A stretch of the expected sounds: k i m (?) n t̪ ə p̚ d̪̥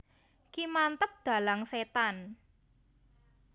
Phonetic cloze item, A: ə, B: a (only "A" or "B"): B